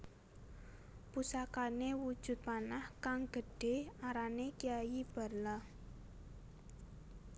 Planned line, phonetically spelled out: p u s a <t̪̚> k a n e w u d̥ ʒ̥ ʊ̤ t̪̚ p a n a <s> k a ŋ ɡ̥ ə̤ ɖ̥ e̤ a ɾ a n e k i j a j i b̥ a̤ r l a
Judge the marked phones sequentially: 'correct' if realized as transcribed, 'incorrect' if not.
incorrect: none, incorrect: h

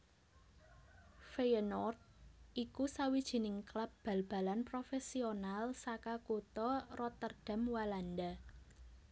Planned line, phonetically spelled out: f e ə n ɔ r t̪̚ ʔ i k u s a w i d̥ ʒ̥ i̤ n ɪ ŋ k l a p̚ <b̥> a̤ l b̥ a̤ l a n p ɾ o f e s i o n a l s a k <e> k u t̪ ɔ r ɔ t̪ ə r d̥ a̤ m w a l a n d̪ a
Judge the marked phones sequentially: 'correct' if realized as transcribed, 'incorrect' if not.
correct, incorrect: a

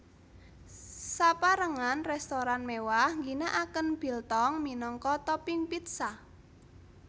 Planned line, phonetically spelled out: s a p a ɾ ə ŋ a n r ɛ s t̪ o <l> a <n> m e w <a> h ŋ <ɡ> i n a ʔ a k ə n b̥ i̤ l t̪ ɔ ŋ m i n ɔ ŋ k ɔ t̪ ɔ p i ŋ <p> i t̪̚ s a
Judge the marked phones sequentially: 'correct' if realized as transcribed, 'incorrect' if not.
incorrect: ɾ, correct, correct, correct, correct

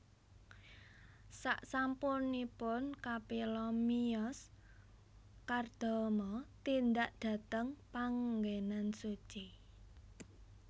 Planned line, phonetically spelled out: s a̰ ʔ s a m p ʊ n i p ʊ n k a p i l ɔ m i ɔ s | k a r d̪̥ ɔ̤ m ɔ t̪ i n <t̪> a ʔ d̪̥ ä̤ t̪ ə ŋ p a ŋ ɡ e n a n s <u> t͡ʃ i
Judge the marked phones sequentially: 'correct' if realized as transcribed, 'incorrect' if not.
incorrect: d̪, correct

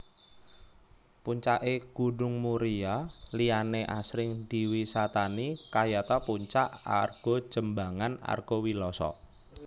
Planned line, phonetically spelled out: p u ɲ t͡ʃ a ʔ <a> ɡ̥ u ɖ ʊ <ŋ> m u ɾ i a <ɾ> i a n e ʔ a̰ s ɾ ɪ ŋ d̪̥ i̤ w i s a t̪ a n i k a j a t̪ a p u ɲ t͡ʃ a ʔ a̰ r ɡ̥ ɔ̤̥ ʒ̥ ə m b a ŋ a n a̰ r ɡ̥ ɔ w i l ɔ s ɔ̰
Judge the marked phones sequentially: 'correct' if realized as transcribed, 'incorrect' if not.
incorrect: e, correct, incorrect: l

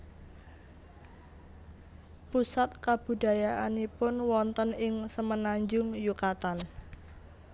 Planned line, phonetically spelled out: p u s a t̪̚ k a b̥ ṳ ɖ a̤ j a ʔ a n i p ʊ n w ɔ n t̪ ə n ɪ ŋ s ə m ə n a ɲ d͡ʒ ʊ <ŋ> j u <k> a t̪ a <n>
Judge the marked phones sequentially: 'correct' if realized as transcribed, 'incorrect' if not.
correct, correct, correct

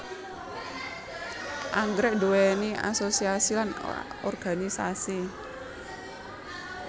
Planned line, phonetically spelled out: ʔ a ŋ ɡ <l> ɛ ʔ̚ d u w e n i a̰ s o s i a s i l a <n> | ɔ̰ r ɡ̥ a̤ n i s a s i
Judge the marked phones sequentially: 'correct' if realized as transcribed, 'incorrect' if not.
incorrect: ɾ, correct

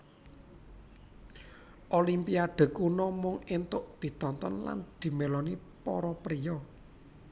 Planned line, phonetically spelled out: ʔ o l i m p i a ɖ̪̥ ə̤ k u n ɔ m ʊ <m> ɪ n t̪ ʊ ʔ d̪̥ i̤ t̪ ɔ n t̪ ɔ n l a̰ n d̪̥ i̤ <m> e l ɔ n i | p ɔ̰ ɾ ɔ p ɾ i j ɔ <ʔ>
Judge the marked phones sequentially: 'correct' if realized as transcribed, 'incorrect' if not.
incorrect: ŋ, correct, incorrect: none

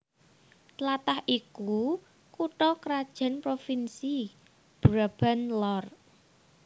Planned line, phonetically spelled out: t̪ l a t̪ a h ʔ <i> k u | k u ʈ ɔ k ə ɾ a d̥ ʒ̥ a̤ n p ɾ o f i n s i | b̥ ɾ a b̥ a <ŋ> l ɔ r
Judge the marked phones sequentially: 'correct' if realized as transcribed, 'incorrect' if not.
correct, incorrect: n

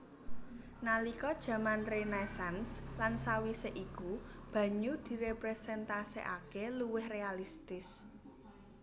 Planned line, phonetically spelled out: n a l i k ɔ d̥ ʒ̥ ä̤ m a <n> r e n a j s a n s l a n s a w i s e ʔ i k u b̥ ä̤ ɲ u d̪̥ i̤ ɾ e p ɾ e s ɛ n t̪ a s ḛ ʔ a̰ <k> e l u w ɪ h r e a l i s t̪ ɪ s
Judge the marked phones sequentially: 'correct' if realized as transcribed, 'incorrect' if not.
correct, correct

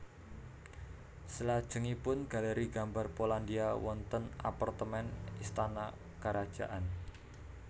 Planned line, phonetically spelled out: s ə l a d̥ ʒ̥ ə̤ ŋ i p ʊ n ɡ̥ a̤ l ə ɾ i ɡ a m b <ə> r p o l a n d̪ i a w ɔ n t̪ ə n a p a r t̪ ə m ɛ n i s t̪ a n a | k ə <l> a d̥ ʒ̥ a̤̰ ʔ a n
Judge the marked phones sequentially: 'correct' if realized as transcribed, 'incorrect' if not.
incorrect: a, incorrect: ɾ

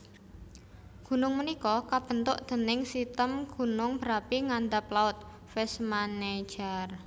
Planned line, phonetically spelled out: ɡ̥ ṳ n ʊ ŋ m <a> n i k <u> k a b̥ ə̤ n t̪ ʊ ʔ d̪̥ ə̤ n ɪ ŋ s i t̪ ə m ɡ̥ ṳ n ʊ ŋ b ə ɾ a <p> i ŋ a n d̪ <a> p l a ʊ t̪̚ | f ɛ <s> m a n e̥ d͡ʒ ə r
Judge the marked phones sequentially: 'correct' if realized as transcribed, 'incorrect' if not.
incorrect: ə, incorrect: ɔ, correct, correct, correct

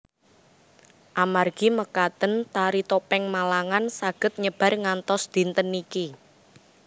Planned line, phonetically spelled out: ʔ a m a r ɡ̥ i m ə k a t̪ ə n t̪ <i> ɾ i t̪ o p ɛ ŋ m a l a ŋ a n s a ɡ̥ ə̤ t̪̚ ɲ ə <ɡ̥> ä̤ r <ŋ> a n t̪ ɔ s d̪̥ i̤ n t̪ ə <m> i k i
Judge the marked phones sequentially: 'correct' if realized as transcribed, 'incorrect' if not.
incorrect: a, incorrect: b̥, correct, incorrect: n

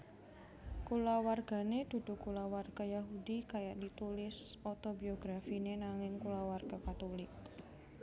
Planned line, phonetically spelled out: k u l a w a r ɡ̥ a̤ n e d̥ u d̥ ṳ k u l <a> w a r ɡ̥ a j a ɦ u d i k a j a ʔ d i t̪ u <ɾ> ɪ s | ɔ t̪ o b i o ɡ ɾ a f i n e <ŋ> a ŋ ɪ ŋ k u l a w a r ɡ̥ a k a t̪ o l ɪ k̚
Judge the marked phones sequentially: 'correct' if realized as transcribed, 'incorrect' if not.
correct, incorrect: l, incorrect: n

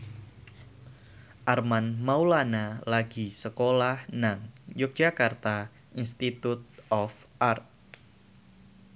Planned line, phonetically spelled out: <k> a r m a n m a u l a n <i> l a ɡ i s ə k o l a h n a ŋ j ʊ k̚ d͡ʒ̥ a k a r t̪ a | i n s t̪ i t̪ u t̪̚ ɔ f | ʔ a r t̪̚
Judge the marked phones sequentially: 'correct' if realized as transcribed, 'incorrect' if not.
incorrect: ʔ, incorrect: a

